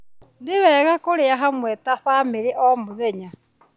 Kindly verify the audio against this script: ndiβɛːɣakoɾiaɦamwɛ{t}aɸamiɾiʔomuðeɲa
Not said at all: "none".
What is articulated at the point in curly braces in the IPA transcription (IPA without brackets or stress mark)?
t